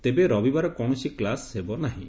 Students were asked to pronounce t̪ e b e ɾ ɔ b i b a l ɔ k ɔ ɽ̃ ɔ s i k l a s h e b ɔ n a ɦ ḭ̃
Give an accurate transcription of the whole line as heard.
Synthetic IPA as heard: t̪ e b e ɾ ɔ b i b a ɾ ɔ k ɔ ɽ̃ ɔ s i k l a s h e b ɔ n a ɦ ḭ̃